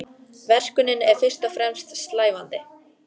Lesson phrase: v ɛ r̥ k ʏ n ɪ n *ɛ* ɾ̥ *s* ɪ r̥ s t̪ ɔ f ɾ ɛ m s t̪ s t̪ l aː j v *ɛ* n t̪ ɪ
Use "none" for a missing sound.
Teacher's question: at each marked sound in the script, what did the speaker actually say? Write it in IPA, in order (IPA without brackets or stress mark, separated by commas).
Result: ɛ, f, a